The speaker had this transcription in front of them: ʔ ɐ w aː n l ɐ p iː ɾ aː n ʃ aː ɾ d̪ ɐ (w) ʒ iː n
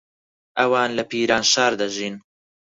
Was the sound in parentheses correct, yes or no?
no